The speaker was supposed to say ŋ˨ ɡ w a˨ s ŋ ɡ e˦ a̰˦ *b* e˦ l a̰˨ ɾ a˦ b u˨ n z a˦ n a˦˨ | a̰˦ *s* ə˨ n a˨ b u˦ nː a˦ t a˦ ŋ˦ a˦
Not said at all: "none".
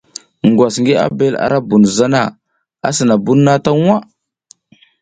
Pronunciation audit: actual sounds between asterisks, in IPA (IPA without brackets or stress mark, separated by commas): b, s